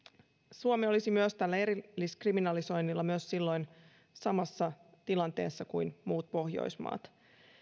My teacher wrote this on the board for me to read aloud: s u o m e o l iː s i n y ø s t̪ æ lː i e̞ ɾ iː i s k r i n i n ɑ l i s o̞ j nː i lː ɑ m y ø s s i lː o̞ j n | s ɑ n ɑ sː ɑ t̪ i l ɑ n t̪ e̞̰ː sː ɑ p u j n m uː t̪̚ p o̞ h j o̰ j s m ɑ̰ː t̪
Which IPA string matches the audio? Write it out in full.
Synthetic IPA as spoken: s u o m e o l i s i m y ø s t̪ æ lː æ e̞ ɾ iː i s k r i m i n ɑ l i s o̞ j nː i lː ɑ m y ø s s i lː o̞ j n | s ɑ m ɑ sː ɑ t̪ i l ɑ n t̪ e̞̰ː sː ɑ k u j n m uː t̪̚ p o̞ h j o̰ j s m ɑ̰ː t̪